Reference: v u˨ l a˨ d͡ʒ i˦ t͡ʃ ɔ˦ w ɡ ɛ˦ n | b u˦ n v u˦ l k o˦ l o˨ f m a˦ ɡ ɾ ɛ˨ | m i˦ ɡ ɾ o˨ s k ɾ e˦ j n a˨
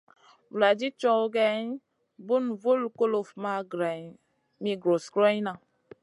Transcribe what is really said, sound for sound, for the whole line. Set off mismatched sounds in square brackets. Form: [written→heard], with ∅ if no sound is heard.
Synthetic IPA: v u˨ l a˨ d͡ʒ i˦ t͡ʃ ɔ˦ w ɡ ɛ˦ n | b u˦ n v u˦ l k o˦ l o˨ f m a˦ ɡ ɾ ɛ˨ | m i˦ ɡ ɾ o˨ s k ɾ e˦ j n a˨